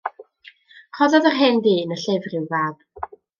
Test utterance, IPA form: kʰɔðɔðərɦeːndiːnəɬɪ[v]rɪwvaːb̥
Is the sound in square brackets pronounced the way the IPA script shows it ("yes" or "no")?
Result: yes